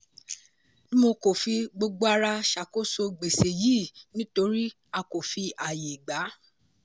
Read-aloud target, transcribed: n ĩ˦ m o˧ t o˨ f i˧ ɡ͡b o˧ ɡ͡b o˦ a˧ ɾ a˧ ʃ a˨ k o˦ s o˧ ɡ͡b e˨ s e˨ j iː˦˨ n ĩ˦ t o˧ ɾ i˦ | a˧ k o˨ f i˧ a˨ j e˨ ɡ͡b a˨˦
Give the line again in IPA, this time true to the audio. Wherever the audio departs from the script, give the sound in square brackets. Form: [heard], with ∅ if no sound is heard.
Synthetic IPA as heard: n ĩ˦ m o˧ [k] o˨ f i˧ ɡ͡b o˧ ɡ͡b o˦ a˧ ɾ a˧ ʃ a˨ k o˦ s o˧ ɡ͡b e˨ s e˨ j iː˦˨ n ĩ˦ t o˧ ɾ i˦ | a˧ k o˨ f i˧ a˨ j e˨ ɡ͡b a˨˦